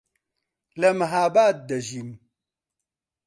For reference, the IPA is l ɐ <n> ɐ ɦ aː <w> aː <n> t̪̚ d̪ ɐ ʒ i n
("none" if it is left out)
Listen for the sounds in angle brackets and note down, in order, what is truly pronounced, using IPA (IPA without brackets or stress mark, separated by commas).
m, b, none